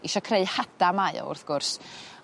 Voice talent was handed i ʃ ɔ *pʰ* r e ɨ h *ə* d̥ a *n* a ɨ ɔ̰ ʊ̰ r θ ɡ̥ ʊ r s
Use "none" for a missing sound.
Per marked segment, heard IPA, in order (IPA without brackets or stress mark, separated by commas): kʰ, a, m